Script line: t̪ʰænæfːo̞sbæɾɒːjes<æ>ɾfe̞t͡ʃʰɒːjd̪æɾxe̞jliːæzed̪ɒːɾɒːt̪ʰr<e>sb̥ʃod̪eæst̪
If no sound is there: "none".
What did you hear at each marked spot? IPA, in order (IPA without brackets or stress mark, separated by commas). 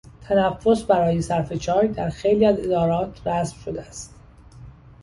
æ, æ